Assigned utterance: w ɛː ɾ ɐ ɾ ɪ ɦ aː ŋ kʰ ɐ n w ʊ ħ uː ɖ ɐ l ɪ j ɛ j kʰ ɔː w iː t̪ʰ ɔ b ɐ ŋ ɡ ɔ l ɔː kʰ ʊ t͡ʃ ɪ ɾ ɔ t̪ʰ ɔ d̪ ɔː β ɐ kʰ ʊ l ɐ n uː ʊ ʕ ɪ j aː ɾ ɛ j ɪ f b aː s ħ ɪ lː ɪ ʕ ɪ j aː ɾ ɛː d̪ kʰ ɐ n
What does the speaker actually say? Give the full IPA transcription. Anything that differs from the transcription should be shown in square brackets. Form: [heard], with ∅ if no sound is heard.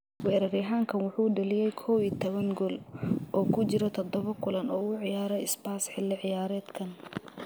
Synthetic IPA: w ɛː ɾ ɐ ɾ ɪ ɦ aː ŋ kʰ ɐ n w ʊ ħ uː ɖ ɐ l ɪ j ɛ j kʰ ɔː w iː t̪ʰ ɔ [β] ɐ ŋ ɡ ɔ l ɔː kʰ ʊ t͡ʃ ɪ ɾ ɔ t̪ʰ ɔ d̪ [ɔ] β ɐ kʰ ʊ l ɐ n [ɔː] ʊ ʕ ɪ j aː ɾ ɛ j ɪ [s] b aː s ħ ɪ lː ɪ ʕ ɪ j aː ɾ ɛː d̪ kʰ ɐ n